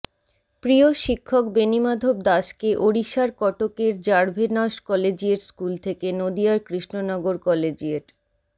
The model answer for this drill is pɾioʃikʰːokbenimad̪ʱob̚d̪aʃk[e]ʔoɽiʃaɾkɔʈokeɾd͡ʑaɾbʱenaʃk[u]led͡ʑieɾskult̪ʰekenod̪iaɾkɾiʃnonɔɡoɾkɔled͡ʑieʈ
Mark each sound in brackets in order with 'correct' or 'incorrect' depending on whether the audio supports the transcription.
correct, incorrect

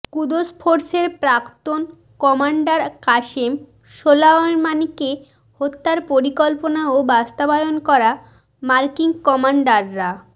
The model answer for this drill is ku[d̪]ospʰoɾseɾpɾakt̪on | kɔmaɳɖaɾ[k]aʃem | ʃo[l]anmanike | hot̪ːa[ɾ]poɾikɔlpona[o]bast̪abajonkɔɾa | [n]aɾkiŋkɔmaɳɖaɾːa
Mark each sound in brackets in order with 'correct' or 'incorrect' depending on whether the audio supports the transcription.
correct, correct, correct, correct, correct, incorrect

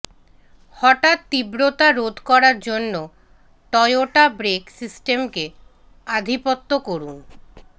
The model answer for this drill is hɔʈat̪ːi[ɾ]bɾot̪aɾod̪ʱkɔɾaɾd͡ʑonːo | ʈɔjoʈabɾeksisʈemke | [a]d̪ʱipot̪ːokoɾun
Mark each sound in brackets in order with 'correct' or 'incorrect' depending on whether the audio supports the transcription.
incorrect, correct

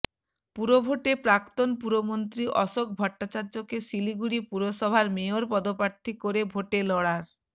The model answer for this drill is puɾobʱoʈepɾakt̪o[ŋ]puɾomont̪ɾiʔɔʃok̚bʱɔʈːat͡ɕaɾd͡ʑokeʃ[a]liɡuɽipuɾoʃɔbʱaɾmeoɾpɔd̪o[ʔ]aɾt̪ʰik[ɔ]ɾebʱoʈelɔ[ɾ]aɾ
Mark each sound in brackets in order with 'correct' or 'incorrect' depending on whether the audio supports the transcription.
incorrect, incorrect, incorrect, incorrect, incorrect

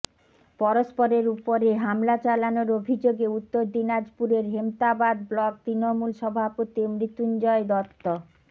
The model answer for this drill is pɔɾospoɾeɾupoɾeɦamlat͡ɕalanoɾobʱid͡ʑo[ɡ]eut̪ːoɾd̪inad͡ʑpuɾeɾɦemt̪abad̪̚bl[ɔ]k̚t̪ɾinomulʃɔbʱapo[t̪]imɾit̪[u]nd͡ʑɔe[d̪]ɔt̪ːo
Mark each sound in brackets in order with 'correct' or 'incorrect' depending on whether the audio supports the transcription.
correct, correct, correct, correct, correct

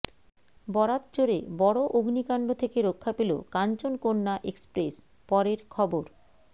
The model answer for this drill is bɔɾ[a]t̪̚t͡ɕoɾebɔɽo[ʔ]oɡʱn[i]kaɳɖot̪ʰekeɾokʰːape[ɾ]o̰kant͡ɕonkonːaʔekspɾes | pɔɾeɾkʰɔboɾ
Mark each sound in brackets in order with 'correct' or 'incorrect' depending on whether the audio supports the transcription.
correct, correct, correct, incorrect

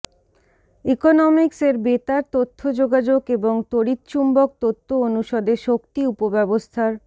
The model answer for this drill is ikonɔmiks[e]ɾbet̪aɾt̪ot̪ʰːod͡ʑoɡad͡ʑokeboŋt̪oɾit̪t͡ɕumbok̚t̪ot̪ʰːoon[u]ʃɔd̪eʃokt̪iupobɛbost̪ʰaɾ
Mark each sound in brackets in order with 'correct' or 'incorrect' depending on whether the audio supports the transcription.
correct, correct

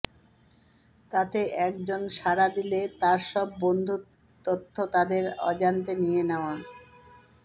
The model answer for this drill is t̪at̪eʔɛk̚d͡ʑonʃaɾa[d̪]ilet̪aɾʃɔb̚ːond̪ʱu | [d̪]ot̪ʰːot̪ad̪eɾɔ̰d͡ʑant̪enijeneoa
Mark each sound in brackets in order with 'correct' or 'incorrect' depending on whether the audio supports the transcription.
correct, incorrect

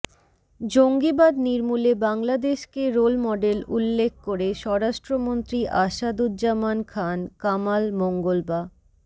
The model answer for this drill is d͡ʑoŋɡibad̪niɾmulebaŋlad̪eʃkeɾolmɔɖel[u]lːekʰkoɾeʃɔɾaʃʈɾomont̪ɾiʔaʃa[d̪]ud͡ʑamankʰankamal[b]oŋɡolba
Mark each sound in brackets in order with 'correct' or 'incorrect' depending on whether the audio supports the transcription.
correct, correct, incorrect

